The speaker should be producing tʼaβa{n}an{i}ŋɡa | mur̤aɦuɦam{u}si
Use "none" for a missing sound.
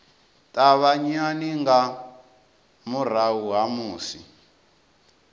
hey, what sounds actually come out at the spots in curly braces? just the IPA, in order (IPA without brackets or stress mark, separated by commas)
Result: ɲ, i, uː